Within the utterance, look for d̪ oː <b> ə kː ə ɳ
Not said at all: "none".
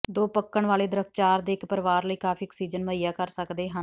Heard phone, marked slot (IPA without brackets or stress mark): p